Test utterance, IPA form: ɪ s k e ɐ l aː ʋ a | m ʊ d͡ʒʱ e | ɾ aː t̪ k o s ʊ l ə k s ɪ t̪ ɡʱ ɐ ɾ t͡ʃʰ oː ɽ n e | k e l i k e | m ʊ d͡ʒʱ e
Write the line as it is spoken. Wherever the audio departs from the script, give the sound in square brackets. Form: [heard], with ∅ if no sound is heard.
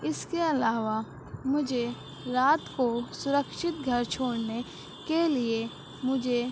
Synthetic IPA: ɪ s k e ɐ l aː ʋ a | m ʊ d͡ʒʱ e | ɾ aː t̪ k o s ʊ [ɾ] ə k [ʃ] ɪ t̪ ɡʱ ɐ ɾ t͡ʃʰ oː ɽ n e | k e l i [∅] e | m ʊ d͡ʒʱ e